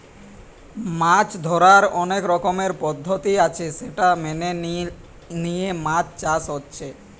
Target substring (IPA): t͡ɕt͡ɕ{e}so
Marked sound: incorrect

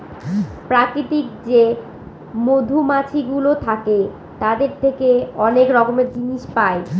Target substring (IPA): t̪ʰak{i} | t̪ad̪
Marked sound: incorrect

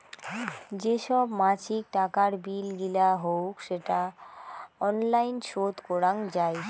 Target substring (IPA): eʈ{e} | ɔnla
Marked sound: incorrect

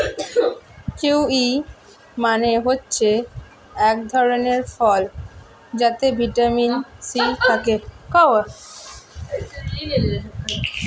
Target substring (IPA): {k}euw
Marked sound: correct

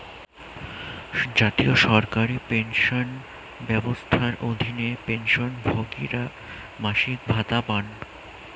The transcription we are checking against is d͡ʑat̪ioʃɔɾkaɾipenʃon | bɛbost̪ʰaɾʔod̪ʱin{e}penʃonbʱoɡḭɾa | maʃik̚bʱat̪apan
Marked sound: correct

